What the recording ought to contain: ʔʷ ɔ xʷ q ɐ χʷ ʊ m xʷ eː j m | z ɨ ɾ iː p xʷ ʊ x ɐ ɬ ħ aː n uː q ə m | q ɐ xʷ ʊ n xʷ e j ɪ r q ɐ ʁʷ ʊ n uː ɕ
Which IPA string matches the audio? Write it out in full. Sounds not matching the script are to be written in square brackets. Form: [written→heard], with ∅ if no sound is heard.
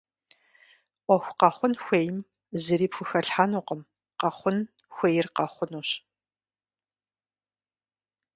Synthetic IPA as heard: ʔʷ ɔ xʷ q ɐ χʷ ʊ [m→n] xʷ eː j m | z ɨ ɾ iː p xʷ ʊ x ɐ ɬ ħ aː n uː q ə m | q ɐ [xʷ→χʷ] ʊ n xʷ e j ɪ r q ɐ [ʁʷ→χʷ] ʊ n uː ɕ